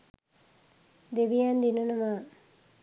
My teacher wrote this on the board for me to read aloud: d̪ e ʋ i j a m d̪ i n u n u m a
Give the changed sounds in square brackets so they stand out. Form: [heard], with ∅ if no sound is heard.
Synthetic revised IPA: d̪ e ʋ i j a [n] d̪ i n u n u m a